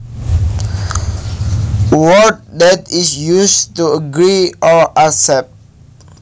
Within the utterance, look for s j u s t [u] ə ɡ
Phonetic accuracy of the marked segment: correct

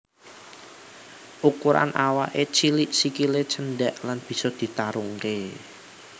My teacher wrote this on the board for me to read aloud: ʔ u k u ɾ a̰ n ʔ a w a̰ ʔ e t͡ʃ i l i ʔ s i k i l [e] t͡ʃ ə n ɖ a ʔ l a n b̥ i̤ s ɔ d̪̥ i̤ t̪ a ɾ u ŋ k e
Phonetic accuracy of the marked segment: correct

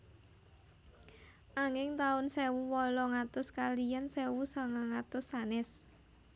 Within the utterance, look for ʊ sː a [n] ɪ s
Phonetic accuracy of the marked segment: correct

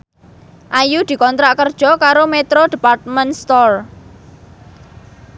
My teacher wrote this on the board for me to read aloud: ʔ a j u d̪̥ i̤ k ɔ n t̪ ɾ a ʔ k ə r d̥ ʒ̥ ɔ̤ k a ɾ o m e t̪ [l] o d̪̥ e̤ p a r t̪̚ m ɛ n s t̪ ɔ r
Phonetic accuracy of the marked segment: incorrect: ɾ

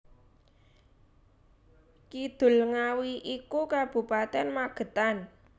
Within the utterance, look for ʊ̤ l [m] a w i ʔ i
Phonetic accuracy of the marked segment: incorrect: ŋ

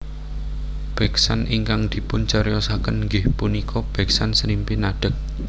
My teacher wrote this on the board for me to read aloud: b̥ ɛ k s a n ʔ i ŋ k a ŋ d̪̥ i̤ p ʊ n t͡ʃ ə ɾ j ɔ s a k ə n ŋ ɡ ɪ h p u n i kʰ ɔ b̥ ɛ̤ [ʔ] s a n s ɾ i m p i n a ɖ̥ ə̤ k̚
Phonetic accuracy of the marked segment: incorrect: k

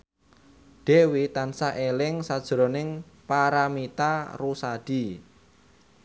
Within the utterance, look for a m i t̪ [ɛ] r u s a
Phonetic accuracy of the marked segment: incorrect: a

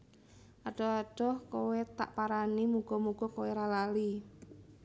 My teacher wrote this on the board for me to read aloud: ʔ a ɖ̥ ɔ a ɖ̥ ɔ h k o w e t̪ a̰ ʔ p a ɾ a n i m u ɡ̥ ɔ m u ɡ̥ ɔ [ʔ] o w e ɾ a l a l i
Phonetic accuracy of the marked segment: incorrect: k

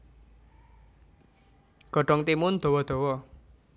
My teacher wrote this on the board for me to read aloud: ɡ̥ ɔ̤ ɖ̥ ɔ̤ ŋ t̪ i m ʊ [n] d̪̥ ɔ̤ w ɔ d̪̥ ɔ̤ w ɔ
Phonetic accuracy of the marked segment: correct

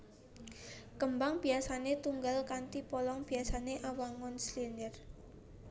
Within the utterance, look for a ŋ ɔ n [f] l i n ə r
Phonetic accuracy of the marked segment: incorrect: s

